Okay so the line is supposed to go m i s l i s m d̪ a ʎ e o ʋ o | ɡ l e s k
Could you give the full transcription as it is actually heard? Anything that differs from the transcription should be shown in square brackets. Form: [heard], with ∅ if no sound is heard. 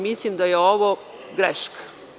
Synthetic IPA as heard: m i s l i [∅] m d̪ a [j] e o ʋ o | ɡ [ɾ] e [ʃ] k